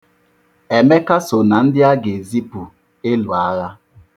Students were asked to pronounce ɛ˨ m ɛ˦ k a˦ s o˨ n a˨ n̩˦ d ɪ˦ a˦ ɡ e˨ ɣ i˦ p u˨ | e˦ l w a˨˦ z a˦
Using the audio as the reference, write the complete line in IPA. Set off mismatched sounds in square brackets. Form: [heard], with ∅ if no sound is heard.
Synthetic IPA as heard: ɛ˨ m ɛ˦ k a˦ s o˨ n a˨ n̩˦ d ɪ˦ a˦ ɡ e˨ [z] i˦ p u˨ | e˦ l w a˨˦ [ɣ] a˦